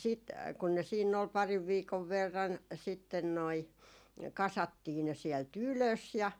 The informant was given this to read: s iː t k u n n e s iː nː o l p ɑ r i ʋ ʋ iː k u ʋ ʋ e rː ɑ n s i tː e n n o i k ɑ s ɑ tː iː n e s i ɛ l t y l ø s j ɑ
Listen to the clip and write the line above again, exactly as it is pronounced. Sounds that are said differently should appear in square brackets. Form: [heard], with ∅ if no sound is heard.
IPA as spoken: s iː t k u n n e s iː nː o l p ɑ r i ʋ ʋ iː k [o] ʋ ʋ e rː ɑ n s i tː e n n o i k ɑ s ɑ tː iː n e s i ɛ l t y l ø s j ɑ